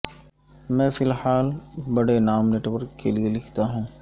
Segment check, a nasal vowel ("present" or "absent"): present